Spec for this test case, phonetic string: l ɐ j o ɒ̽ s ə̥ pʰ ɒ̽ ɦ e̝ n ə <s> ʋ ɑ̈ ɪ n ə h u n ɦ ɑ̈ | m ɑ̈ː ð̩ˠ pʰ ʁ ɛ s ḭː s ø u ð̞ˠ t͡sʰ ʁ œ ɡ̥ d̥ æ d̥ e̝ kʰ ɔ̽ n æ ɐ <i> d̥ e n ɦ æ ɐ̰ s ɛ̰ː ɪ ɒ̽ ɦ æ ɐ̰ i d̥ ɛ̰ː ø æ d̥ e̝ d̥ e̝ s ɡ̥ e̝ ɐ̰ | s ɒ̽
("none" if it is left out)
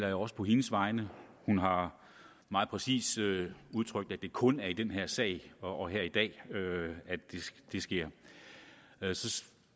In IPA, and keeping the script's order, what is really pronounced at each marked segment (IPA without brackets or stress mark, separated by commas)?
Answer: s, i